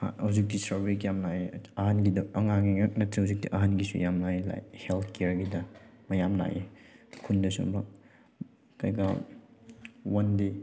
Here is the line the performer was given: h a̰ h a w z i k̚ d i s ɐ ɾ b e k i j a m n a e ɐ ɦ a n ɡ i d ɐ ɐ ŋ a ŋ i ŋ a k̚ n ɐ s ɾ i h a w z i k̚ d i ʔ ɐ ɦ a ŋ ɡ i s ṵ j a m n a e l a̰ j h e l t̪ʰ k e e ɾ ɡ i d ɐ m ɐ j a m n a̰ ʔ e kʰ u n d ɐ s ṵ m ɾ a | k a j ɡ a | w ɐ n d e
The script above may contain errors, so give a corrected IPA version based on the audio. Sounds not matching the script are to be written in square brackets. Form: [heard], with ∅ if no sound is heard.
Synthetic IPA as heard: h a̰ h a w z i k̚ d i s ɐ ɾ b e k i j a m n a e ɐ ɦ a n ɡ i d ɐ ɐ ŋ a ŋ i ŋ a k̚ n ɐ [t] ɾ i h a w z i k̚ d i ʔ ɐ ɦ a [n] ɡ i s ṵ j a m n a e l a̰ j h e l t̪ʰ k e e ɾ ɡ i d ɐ m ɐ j a m n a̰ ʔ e kʰ u n d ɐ s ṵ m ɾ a | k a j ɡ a | w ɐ n d e